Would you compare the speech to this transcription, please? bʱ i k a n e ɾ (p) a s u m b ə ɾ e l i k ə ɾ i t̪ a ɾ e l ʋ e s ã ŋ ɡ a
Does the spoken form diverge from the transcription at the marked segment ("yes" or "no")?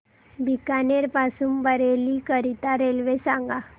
no